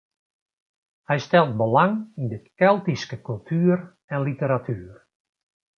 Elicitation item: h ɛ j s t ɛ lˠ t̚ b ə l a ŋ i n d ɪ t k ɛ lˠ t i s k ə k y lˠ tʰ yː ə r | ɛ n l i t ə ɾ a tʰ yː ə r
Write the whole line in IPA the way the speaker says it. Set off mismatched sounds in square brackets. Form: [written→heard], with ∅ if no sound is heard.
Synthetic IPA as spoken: h ɛ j s t ɛ lˠ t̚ b ə l a ŋ i n d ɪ t k ɛ lˠ t i s k ə k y lˠ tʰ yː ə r | ɛ n l i t ə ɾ a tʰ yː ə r